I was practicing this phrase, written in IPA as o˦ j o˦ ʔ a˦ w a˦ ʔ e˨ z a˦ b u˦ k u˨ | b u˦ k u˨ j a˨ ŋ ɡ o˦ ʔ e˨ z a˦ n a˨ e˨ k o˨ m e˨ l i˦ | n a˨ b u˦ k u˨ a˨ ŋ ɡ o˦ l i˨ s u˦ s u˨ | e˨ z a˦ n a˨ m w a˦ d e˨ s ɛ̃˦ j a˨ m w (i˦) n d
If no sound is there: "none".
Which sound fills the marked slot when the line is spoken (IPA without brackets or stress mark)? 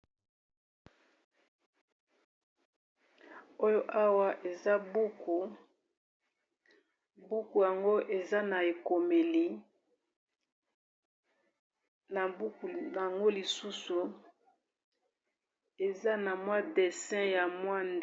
a˦